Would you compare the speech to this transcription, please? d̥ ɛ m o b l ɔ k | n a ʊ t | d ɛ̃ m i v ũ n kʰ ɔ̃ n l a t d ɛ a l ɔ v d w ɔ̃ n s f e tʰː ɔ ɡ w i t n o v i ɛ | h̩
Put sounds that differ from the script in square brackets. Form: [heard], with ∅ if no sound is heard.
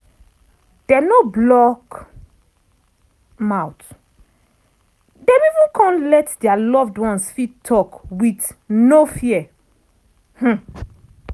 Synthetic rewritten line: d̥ ɛ [n] o b l ɔ k | [m] a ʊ t | d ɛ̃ m i v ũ n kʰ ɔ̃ n l [ɛ] t d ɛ a l ɔ v d w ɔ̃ n s f [i] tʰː ɔ [k] w i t n o [f] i ɛ | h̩